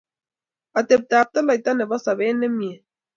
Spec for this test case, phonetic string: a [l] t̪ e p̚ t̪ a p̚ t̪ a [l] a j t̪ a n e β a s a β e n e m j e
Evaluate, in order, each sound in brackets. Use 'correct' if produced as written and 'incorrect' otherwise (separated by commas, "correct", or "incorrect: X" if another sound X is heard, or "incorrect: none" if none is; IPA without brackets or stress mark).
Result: incorrect: none, correct